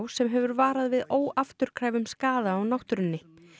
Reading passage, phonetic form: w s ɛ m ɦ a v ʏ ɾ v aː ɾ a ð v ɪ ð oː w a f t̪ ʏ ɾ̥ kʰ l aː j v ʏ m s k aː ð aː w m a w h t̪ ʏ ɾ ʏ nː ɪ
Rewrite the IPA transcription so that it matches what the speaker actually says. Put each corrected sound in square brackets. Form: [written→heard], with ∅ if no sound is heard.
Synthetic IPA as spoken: w s ɛ m ɦ [a→ɛ] v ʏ ɾ v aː ɾ a ð v ɪ ð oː w a f t̪ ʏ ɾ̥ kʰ [l→ɾ] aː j v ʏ m s k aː ð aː w [m→n] a w h t̪ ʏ ɾ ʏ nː ɪ